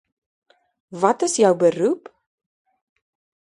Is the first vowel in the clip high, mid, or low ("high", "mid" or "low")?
low